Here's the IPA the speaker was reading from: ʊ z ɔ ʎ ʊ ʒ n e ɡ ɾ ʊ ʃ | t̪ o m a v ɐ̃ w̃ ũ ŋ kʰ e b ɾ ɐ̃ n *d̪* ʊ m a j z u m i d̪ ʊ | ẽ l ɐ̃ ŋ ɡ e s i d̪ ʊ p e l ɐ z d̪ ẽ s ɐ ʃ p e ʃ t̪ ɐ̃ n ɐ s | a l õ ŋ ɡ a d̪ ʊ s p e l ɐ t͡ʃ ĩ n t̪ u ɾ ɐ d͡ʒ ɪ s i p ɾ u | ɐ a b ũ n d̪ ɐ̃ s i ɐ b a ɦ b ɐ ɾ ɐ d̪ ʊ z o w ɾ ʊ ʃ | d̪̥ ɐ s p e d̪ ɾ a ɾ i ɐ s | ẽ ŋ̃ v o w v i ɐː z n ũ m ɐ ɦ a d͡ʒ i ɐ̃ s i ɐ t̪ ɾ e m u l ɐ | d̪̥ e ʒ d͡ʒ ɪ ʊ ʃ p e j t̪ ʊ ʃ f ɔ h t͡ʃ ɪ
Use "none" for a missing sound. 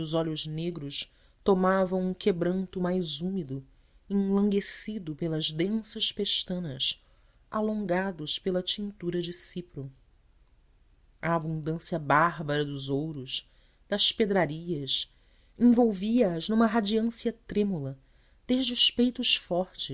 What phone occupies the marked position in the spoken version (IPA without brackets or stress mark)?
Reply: t̪